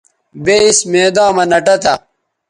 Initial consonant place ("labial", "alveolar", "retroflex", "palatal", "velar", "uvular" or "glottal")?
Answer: labial